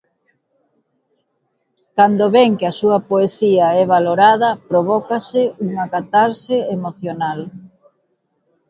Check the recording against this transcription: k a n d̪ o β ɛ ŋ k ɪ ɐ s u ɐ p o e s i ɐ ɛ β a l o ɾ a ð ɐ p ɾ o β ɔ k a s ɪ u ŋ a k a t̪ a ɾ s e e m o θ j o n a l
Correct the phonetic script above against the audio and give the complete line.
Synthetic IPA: k a n d̪ o β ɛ ŋ k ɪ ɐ s u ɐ p o e s i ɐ ɛ β a l o ɾ a ð ɐ p ɾ o β ɔ k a s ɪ u ŋ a k a t̪ a ɾ s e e m o θ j o n a l